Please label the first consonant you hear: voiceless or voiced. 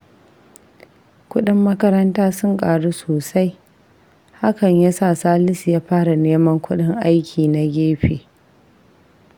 voiceless